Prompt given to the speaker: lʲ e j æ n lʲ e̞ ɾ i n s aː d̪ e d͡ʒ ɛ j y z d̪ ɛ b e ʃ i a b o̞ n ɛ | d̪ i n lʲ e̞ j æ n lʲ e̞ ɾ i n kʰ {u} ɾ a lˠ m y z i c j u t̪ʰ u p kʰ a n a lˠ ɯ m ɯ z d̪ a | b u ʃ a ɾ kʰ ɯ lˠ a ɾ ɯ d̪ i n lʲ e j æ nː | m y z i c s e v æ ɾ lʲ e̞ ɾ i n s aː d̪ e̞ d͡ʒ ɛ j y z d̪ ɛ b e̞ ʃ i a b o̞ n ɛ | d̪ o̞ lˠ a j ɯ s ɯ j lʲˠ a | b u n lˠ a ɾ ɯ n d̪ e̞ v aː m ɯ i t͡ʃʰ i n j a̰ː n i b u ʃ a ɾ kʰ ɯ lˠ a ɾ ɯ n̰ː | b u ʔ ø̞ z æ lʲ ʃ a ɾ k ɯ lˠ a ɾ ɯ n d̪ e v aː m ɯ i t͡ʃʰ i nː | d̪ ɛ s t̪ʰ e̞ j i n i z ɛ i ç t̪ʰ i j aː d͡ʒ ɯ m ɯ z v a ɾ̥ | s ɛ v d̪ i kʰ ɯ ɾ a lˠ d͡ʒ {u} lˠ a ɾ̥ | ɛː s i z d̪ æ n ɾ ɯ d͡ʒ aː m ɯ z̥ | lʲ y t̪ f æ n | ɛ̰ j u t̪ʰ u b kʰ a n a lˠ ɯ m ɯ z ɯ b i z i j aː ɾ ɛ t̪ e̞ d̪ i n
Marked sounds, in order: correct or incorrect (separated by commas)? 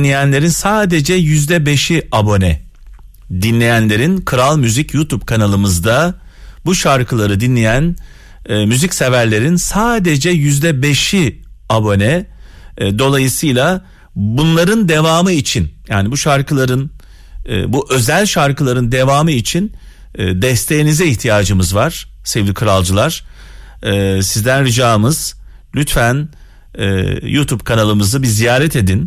incorrect, incorrect